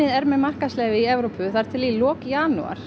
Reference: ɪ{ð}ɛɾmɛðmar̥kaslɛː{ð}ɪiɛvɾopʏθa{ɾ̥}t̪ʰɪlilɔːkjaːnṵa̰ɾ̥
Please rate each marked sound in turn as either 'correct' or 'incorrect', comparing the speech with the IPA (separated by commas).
correct, incorrect, correct